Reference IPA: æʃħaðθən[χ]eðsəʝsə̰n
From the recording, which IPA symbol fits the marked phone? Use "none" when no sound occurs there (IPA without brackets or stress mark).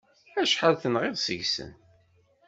ʁ